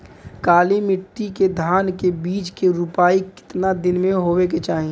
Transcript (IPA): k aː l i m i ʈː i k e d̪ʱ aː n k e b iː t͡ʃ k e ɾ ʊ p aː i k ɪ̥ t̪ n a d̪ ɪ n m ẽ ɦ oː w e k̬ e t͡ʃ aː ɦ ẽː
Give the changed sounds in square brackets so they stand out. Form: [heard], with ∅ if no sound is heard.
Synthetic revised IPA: k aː l i m [ɪ] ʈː i k e d̪ʱ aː n k e b iː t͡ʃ k e ɾ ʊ p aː i k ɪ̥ t̪ n a d̪ ɪ n m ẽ ɦ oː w e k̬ e t͡ʃ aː ɦ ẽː